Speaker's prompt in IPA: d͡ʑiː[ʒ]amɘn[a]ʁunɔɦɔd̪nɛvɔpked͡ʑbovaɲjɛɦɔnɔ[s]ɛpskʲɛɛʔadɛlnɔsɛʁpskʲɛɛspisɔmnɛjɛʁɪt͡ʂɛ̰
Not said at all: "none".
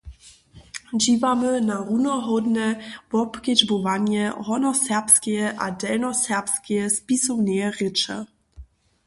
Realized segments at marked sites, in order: v, a, s

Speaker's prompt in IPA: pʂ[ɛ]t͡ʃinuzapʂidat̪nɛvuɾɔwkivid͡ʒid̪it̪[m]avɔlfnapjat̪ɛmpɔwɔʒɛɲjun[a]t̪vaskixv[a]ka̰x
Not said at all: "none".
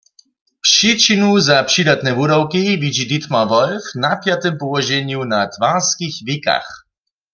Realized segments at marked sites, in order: i, m, a, i

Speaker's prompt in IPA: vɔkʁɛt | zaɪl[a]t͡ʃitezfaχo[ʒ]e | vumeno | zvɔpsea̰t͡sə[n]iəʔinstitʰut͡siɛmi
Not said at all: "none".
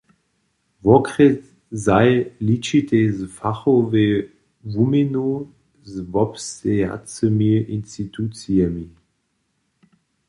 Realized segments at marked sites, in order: i, v, m

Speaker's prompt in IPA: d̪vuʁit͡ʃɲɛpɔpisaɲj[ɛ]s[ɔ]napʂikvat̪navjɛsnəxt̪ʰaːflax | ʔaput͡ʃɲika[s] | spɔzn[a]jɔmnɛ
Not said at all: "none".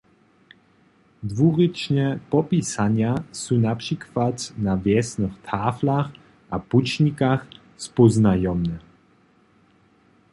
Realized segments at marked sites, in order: a, u, x, a

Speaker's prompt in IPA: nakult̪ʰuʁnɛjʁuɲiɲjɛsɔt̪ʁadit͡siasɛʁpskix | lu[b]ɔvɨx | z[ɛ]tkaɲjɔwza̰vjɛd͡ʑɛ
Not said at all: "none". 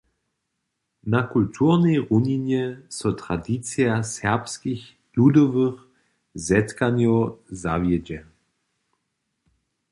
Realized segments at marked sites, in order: d, ɛ

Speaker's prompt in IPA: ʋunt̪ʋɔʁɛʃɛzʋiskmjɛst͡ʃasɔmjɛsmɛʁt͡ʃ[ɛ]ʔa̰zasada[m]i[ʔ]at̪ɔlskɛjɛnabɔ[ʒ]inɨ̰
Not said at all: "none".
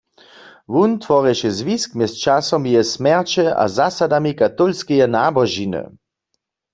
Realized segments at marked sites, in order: ɛ, m, k, ʒ

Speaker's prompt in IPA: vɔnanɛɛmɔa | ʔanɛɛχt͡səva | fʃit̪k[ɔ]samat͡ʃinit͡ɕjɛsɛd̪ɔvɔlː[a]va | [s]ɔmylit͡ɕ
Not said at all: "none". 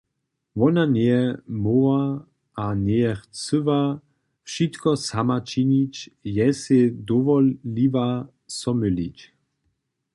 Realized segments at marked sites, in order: ɔ, i, s

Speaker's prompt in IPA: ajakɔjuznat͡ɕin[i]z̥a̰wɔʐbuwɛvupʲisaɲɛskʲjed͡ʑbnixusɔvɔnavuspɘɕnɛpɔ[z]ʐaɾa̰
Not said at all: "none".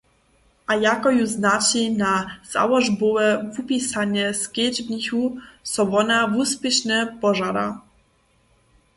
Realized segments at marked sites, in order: a, none

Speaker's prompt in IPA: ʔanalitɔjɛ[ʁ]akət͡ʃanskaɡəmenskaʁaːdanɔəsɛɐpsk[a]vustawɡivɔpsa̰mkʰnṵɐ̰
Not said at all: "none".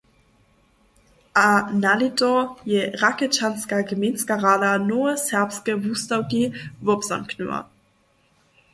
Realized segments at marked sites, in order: ʁ, ə

